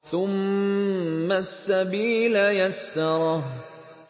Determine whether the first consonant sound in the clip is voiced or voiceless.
voiceless